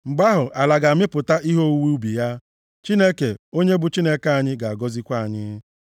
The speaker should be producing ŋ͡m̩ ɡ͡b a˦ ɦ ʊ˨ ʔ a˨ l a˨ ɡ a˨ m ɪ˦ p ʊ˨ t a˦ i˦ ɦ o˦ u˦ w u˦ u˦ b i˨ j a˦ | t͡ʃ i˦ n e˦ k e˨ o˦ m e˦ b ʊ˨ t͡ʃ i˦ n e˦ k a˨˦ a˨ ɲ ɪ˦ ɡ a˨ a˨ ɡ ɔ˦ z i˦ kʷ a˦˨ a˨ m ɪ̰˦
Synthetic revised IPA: ŋ͡m̩ ɡ͡b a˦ ɦ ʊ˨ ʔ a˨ l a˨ ɡ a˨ m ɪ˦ p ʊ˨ t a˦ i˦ ɦ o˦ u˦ w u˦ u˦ b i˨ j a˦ | t͡ʃ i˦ n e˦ k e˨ o˦ ɲ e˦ b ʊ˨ t͡ʃ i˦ n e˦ k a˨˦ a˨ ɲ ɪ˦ ɡ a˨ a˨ ɡ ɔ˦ z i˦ kʷ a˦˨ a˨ ɲ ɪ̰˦